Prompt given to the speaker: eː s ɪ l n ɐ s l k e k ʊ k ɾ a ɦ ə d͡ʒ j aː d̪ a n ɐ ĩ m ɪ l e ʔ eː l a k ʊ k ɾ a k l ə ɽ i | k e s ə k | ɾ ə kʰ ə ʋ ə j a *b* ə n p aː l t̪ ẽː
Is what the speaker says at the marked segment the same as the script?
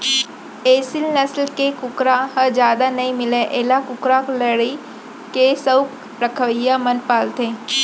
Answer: no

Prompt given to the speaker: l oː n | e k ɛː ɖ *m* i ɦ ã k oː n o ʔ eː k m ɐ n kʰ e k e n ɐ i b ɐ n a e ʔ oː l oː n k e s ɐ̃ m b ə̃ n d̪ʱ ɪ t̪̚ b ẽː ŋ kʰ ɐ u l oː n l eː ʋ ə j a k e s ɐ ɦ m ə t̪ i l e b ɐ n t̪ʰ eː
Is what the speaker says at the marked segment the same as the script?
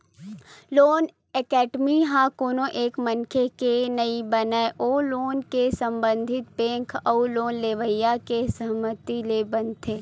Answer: yes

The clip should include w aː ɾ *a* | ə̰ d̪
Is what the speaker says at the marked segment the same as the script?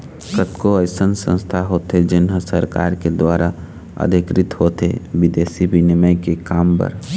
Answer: yes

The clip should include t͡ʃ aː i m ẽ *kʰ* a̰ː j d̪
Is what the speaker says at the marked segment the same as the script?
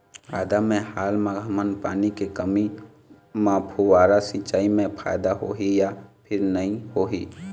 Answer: no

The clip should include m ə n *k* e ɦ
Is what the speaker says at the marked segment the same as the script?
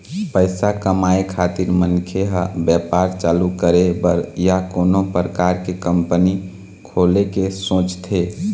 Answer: no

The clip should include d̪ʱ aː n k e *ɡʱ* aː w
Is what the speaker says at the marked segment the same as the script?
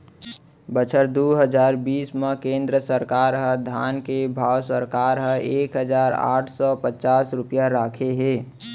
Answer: no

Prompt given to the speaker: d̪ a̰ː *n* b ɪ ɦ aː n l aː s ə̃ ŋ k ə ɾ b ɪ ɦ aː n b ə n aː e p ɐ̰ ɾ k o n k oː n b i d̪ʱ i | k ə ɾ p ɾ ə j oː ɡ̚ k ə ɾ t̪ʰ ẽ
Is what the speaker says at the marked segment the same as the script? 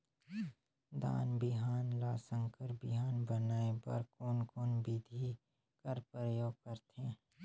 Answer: yes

